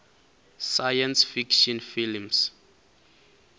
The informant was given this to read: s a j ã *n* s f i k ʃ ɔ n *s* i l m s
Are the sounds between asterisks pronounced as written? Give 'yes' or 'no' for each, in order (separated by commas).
yes, no